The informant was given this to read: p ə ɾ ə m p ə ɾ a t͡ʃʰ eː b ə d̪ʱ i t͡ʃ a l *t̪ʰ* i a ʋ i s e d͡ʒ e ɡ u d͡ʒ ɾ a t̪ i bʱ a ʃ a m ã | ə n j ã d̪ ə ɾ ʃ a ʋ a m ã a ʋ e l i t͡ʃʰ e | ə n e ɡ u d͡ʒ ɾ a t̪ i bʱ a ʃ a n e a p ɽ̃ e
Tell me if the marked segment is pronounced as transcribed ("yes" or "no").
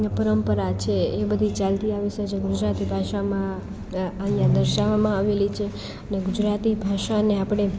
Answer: no